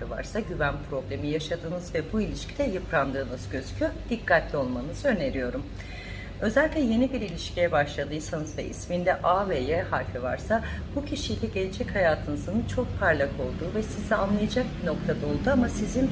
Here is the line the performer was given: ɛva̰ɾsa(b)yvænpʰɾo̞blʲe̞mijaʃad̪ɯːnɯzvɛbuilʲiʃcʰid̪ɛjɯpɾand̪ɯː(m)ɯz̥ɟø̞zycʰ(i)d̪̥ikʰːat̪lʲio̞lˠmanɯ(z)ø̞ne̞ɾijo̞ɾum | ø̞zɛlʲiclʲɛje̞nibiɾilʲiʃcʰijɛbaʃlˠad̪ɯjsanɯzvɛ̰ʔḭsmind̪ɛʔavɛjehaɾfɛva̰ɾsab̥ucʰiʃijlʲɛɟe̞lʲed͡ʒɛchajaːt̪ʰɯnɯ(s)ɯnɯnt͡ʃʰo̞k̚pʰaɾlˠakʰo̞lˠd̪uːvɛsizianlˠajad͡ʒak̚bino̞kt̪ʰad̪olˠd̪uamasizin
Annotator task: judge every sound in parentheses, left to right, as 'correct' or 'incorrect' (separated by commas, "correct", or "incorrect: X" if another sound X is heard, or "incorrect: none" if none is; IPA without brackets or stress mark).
incorrect: ɟ, incorrect: n, incorrect: y, correct, incorrect: z